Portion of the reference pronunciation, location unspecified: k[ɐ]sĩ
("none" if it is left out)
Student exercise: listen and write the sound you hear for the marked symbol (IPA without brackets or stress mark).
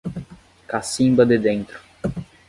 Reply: a